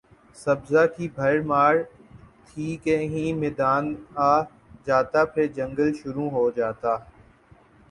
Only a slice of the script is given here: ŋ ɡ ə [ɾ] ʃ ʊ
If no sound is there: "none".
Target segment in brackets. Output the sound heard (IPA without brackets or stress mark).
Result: l